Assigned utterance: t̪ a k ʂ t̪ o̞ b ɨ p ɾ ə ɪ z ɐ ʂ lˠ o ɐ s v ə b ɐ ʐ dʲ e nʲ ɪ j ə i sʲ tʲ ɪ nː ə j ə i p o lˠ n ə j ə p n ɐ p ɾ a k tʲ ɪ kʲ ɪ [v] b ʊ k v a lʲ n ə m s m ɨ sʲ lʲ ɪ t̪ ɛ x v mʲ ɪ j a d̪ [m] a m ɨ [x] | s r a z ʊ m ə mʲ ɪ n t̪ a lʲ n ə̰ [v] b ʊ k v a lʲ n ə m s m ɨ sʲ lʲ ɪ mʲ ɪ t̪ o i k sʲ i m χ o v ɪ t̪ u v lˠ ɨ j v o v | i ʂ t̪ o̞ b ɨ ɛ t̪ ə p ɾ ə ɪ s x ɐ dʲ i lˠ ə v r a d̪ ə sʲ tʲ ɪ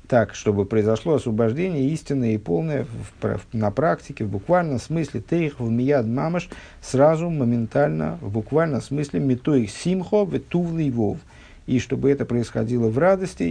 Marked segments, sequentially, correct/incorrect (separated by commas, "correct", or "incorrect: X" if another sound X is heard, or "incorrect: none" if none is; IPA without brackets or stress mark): correct, correct, incorrect: ʂ, correct